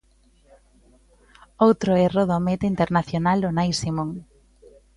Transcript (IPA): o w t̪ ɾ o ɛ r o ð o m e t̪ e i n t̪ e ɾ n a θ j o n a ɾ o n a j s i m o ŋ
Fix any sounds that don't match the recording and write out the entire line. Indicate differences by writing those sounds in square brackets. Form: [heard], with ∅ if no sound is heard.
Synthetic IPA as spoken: o w t̪ ɾ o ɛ r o ð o m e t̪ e i n t̪ e ɾ n a θ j o n a [l] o n a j s i m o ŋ